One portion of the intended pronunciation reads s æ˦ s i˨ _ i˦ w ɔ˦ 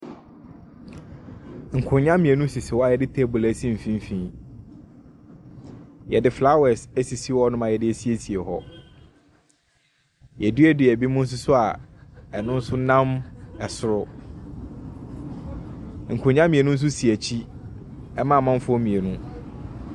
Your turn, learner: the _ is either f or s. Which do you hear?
s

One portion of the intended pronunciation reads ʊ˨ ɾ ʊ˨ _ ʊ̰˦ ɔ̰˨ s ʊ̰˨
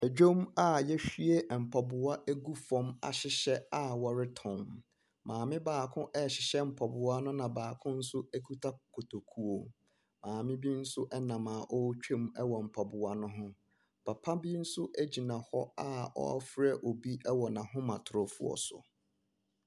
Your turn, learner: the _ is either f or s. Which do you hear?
f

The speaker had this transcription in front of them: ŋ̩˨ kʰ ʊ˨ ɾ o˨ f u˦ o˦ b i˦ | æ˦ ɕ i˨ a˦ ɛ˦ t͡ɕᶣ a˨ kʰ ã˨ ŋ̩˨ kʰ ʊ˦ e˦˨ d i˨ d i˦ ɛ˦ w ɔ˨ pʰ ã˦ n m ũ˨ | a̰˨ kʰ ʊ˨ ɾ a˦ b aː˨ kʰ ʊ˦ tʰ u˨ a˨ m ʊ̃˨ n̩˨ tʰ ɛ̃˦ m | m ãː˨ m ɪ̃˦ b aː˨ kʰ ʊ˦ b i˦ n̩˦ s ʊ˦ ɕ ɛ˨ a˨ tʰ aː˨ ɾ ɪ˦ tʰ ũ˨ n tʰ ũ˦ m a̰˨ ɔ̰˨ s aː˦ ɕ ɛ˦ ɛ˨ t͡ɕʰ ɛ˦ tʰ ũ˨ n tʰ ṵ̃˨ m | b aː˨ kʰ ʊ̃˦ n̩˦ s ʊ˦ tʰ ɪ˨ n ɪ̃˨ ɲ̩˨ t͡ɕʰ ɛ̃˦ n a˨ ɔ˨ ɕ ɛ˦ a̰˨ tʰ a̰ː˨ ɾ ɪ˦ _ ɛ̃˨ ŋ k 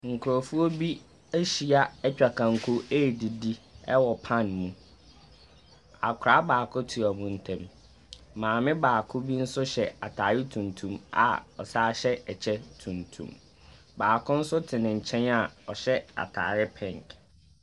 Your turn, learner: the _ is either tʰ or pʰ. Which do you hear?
pʰ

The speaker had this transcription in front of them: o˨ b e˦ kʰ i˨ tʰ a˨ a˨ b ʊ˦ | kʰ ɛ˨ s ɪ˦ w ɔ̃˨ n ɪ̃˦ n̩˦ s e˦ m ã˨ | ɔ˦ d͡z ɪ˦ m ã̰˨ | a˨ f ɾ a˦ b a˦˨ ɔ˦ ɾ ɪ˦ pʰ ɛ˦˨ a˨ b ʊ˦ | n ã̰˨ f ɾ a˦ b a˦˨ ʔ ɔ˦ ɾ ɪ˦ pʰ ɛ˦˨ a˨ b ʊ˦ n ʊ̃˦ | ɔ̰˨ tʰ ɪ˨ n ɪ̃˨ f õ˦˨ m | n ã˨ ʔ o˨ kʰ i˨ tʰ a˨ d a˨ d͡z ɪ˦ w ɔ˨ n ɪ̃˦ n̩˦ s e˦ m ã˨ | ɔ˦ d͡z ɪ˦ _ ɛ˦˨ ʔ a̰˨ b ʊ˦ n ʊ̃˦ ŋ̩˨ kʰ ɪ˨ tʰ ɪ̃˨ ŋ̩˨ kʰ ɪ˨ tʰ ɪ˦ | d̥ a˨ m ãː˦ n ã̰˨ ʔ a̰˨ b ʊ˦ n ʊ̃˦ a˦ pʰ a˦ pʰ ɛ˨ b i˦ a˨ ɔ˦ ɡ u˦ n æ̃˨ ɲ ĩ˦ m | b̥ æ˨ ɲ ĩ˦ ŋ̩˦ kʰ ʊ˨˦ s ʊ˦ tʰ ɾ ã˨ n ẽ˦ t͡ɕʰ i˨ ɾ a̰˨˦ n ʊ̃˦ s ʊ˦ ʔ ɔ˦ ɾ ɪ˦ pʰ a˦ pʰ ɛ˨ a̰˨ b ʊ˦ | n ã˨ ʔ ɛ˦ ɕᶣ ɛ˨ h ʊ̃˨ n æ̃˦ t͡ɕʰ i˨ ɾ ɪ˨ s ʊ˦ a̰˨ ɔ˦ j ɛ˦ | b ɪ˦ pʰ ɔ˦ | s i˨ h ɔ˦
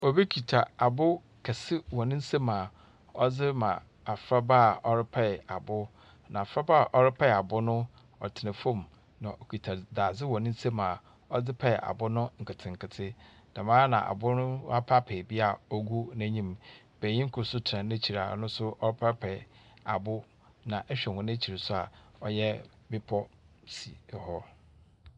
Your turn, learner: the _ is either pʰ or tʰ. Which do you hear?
pʰ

